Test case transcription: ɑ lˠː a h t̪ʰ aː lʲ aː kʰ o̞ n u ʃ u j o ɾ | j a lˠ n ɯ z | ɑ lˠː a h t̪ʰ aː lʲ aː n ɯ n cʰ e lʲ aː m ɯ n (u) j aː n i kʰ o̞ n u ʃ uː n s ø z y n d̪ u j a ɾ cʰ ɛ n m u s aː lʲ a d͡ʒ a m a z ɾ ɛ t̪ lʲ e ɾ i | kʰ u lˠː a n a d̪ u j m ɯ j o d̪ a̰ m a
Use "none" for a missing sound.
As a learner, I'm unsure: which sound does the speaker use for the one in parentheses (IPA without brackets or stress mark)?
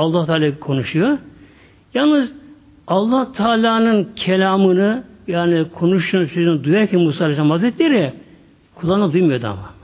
ɯ